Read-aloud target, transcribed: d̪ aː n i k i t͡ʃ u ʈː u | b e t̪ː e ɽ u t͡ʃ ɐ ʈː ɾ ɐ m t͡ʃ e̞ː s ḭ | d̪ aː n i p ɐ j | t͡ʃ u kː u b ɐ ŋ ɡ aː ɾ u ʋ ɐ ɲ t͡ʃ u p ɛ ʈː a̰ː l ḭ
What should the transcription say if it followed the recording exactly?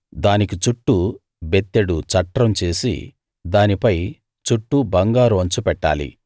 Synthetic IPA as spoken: d̪ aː n i k i t͡ʃ u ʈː u | b e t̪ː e ɽ u t͡ʃ ɐ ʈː ɾ ɐ m t͡ʃ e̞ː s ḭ | d̪ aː n i p ɐ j | t͡ʃ u ʈː u b ɐ ŋ ɡ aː ɾ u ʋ ɐ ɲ t͡ʃ u p ɛ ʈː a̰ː l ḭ